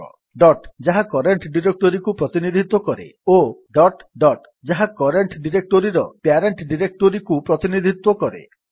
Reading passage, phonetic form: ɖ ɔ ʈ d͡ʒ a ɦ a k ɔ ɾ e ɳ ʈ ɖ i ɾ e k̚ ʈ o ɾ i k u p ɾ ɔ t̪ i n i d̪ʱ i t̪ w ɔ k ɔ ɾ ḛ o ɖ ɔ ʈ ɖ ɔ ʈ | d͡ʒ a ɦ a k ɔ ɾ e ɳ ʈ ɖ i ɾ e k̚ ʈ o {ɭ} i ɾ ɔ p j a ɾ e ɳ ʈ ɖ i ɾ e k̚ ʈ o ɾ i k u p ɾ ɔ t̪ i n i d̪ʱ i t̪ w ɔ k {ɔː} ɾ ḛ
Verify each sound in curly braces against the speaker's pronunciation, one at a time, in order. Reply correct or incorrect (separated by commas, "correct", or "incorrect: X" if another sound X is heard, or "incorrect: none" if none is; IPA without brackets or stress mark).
incorrect: ɾ, incorrect: ɔ